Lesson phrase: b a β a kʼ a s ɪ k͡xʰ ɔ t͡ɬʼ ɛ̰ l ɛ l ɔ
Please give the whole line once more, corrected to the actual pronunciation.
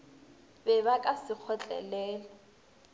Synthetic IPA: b ɛ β a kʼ a s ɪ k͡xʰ ɔ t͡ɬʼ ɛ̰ l ɛː l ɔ

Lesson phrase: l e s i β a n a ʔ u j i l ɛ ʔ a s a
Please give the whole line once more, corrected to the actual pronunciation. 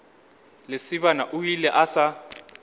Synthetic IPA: l e s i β a n a ʔ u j i l ɛ ʔ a s a

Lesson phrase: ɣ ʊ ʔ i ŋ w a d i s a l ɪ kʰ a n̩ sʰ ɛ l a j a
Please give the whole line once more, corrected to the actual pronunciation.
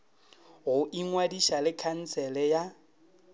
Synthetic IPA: ɣ ʊ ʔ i ŋ w a d i ʃ a l ɪ kʰ a n̩ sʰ ɛ l ɛ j a

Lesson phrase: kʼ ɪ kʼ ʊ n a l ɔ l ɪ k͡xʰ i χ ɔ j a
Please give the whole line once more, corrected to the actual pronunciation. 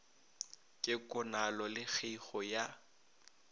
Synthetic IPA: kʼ ɪ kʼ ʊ n a l ɔ l ɪ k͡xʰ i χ ɔ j a

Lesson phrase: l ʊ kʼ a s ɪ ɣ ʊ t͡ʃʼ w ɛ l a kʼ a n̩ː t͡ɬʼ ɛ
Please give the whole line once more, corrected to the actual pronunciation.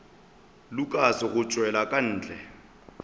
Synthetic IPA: l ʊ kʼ a s ɪ ɣ ʊ t͡ʃʼ w ɛ l a kʼ a n̩ː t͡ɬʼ ɛ

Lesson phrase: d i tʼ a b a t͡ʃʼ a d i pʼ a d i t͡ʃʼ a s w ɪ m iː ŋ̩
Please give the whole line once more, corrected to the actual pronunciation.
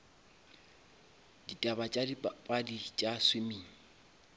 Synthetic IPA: d i tʼ a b a t͡ʃʼ a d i pʼ a d i t͡ʃʼ a s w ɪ m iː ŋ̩

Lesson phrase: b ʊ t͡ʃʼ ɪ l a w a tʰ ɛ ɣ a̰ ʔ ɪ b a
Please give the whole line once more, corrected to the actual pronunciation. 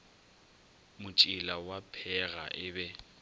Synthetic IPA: m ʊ t͡ʃʼ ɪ l a w a pʰ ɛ ɣ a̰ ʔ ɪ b ɛ

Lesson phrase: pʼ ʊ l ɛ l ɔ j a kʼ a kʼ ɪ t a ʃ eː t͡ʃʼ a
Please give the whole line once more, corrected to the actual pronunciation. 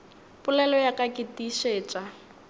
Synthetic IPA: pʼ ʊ l ɛ l ɔ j a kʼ a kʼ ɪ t i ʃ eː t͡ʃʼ a

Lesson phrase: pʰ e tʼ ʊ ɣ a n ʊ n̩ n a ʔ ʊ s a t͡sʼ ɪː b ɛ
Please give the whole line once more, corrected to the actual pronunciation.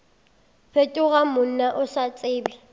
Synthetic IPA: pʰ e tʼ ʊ ɣ a m ʊ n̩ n a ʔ ʊ s a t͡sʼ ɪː b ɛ

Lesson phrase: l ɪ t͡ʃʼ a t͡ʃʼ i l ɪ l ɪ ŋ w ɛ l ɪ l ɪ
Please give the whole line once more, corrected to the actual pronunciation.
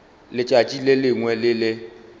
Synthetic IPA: l ɪ t͡ʃʼ a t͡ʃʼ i l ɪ l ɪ ŋ w ɛ l ɪ l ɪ

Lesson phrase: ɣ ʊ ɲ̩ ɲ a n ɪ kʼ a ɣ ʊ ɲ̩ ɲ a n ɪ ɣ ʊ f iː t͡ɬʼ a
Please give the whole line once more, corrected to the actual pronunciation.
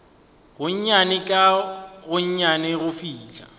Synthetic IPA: ɣ ʊ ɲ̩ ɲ a n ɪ kʼ a ɣ ʊ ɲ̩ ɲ a n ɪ ɣ ʊ f iː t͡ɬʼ a

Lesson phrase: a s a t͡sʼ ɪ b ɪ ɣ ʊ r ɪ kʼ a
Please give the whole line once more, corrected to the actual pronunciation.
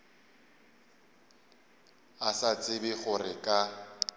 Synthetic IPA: a s a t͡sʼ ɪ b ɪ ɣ ʊ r ɪ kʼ a

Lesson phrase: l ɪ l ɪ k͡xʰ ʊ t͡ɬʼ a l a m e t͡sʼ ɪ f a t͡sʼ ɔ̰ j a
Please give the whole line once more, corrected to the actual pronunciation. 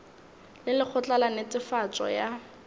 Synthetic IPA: l ɪ l ɪ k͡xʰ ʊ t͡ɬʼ a l a n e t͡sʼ ɪ f a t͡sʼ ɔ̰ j a

